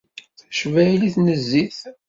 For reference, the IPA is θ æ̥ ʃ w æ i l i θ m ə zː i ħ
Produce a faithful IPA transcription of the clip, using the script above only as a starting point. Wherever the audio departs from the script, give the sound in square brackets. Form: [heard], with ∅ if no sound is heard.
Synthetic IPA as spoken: θ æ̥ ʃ [v] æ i l i θ [n] ə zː i [θ]